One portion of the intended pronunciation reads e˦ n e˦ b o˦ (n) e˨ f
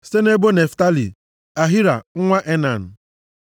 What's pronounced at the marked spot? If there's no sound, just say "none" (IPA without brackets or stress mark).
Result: n